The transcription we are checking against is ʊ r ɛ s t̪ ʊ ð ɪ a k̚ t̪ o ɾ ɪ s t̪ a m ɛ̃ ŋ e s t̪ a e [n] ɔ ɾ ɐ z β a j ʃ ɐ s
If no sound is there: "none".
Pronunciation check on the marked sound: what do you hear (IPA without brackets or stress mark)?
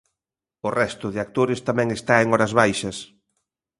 ŋ